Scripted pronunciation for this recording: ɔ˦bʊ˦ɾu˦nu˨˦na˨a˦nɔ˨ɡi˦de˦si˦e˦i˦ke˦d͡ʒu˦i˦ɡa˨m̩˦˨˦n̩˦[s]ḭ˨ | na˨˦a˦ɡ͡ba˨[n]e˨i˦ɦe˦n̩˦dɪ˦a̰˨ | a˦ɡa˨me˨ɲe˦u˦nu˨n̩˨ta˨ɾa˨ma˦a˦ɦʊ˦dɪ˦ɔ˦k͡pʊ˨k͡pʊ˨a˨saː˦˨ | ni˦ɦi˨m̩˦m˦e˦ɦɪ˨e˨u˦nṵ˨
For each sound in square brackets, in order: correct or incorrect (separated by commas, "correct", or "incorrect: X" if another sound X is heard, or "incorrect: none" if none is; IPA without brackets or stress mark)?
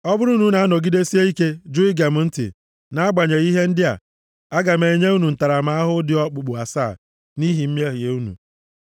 incorrect: t, incorrect: ɲ